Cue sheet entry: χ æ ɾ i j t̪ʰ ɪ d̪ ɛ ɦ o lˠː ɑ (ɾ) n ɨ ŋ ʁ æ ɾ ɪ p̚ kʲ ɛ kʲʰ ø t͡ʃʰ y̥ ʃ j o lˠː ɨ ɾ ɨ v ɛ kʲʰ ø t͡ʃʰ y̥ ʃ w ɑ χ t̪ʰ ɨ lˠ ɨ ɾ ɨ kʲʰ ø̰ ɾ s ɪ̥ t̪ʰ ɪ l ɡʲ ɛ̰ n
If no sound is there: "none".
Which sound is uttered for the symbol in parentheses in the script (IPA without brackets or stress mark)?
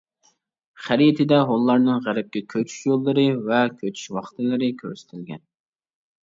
ɾ